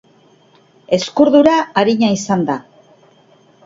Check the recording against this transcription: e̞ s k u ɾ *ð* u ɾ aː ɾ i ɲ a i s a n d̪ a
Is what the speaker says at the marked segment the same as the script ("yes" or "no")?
yes